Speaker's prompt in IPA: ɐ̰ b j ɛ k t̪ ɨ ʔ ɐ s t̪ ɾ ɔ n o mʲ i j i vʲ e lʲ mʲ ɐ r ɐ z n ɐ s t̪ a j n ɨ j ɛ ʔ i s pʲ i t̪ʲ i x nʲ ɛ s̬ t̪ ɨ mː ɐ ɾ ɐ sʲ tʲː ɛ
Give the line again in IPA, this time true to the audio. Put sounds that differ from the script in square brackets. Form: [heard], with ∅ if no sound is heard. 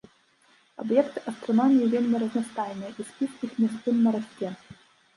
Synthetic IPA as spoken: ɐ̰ b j ɛ k t̪ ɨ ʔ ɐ s t̪ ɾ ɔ n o mʲ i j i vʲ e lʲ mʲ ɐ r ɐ z n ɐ s t̪ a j n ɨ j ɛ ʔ i s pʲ i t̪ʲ i x [mʲ] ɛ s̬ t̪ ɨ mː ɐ ɾ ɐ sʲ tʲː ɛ